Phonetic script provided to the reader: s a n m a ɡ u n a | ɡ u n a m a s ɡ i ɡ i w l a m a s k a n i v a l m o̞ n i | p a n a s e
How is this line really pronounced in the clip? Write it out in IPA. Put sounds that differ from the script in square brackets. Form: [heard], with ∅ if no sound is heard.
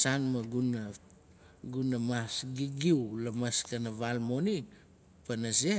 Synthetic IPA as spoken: s a n m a ɡ u n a | ɡ u n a m a s ɡ i ɡ i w l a m a s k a n [a] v a l m o̞ n i | p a n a s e

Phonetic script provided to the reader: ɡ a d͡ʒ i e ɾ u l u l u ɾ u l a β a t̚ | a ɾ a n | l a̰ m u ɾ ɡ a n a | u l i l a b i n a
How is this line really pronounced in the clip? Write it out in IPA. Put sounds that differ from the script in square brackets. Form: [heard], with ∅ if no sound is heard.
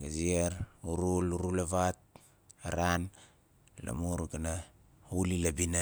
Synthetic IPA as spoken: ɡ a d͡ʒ i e ɾ u [ɾ] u l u ɾ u l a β a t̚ | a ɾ a n | l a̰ m u ɾ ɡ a n a | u l i l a b i n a

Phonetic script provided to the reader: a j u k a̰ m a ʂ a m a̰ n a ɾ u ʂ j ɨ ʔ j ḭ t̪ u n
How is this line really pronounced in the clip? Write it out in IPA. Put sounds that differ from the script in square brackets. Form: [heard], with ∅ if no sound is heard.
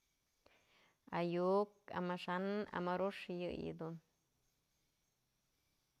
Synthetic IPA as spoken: a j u k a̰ m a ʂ a [n] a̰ [m] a ɾ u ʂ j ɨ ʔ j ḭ [d̪] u n

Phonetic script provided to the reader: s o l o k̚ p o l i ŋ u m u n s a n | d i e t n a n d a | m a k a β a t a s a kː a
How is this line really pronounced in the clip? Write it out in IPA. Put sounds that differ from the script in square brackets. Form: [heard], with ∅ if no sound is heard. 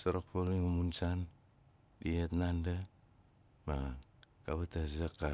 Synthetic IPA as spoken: s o [ɾ] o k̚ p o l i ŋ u m u n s a n | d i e t n a n d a | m a k a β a t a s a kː a

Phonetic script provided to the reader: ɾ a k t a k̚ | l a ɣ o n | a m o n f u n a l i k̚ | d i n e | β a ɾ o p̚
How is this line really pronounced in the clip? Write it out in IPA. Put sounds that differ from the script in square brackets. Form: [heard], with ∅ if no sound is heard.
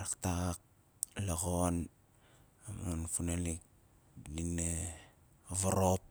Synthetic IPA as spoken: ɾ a k t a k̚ | l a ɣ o n | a m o n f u n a l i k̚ | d i n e | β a ɾ o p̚

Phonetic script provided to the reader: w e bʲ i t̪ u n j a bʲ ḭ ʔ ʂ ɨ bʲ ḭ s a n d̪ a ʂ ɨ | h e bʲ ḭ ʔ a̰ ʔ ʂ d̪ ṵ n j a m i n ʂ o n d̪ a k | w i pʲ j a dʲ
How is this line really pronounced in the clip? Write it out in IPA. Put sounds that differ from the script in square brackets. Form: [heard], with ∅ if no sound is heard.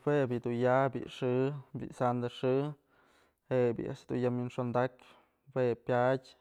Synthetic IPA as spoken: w e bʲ i [d̪] u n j a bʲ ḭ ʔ ʂ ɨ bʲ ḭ s a n d̪ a ʂ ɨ | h e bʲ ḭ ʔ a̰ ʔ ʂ d̪ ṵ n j a m i n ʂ o n d̪ a k | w [e] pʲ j a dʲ

